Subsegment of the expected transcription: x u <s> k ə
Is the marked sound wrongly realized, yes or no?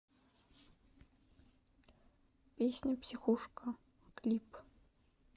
yes